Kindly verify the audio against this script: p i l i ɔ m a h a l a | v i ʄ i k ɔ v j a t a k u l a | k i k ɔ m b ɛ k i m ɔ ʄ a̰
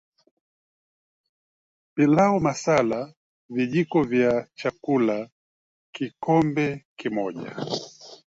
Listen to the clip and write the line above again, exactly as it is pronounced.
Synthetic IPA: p i l a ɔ m a s a l a | v i ʄ i k ɔ v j a t͡ʃ a k u l a | k i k ɔ m b ɛ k i m ɔ ʄ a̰